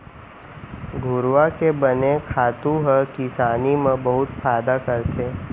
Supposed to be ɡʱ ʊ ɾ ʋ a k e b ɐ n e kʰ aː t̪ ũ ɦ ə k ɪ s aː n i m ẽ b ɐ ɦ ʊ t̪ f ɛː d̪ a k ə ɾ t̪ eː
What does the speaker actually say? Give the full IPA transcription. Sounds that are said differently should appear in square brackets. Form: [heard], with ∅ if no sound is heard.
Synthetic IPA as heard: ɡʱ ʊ ɾ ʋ a k e b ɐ n e kʰ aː t̪ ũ ɦ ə k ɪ s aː n i m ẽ b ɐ ɦ ʊ t̪ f [aː] d̪ a k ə ɾ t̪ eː